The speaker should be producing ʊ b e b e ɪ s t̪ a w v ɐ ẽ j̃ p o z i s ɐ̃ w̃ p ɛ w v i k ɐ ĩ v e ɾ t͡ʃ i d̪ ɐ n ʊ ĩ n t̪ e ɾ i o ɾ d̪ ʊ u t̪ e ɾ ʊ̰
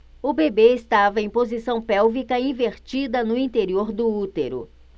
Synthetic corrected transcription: ʊ b e b e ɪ s t̪ a v ɐ ẽ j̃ p o z i s ɐ̃ w̃ p ɛ w v i k ɐ ĩ v e ɾ t͡ʃ i d̪ ɐ n ʊ ĩ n t̪ e ɾ i o ɾ d̪ ʊ u t̪ e ɾ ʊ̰